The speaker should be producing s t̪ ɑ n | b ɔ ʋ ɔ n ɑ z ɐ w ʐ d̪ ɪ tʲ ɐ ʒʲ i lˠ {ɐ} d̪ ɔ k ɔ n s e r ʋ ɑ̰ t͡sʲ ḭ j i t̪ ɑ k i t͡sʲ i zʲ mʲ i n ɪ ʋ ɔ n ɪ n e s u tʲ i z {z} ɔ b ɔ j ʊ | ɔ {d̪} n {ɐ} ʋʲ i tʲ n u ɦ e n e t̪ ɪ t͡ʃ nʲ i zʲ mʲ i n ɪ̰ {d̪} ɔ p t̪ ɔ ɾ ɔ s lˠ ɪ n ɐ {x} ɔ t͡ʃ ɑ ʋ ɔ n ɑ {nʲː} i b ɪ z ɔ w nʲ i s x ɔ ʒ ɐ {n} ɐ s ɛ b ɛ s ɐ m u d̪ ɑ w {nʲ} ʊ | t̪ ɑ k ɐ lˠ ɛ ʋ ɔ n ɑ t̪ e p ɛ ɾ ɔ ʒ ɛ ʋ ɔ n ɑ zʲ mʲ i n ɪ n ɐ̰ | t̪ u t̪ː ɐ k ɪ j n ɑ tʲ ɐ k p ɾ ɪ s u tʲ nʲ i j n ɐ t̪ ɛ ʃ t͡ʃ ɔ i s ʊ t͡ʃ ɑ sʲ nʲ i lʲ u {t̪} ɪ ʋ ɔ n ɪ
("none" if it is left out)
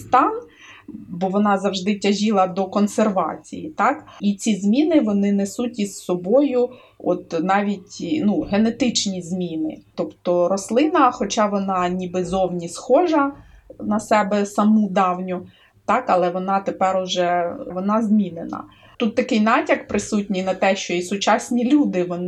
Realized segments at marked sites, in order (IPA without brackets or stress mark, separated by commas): ɐ, s, t̪, ɑ, t̪, x, nʲ, n, nʲ, d̪